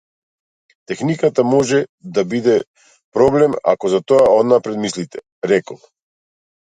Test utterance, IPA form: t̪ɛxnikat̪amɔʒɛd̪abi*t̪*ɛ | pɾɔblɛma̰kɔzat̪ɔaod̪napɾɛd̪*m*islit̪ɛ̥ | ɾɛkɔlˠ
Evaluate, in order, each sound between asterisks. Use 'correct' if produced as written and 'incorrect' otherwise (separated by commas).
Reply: incorrect, correct